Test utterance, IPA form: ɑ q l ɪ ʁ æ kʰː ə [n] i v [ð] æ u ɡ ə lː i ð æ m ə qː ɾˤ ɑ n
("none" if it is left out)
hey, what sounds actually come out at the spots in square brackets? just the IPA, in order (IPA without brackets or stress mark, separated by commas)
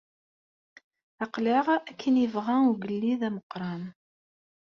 n, ʁ